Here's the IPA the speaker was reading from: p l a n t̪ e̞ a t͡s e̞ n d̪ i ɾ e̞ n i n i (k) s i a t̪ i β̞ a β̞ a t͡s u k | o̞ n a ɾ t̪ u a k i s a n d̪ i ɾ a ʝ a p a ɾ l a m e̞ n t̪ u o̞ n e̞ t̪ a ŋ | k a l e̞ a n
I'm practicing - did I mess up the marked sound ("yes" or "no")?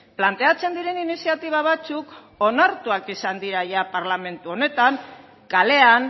yes